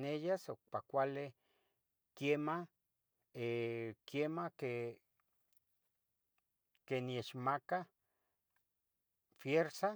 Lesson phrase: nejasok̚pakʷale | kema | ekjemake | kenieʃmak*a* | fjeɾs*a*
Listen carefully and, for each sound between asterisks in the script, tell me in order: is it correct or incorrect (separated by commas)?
correct, correct